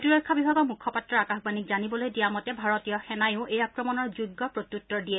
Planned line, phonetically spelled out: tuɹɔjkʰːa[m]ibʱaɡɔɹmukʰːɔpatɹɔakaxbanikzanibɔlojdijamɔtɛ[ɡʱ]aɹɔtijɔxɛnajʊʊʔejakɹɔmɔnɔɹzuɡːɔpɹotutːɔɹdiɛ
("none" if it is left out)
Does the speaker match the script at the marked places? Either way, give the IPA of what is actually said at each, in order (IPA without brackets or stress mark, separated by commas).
b, bʱ